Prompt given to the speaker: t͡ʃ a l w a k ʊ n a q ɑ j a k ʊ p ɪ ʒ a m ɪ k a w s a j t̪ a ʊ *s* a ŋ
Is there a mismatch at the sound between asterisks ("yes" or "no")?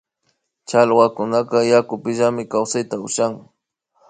yes